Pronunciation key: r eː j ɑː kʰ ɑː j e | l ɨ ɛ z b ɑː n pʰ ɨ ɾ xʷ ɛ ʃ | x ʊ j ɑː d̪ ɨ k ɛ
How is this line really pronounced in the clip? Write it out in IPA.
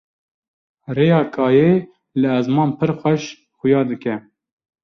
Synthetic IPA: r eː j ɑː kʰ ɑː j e | l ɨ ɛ z m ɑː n pʰ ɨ ɾ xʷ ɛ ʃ | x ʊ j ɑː d̪ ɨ k ɛ